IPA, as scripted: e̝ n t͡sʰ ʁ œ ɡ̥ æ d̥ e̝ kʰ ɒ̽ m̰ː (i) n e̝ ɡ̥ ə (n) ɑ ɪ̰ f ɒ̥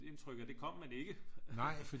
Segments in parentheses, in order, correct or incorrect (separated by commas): incorrect, correct